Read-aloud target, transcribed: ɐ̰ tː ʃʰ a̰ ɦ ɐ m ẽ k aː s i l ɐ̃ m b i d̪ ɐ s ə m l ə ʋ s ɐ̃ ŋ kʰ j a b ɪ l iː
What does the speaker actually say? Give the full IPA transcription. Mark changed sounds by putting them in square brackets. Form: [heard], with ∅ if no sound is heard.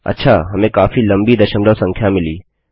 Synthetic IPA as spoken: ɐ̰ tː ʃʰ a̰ ɦ ɐ m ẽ k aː [f] i l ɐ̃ m b i d̪ ɐ [ʃ] ə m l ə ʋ s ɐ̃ ŋ kʰ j a [m] ɪ l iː